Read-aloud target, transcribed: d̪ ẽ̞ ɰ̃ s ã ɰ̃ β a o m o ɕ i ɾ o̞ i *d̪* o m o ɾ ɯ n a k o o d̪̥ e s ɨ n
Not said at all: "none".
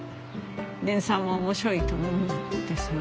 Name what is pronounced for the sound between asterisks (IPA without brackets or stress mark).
t̪